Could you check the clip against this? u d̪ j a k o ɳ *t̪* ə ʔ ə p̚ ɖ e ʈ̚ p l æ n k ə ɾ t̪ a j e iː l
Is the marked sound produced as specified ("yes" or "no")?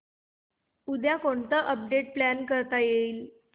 yes